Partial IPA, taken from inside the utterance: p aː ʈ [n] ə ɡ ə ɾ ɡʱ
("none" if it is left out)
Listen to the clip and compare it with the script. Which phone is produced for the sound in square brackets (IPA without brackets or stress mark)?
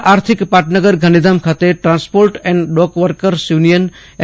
n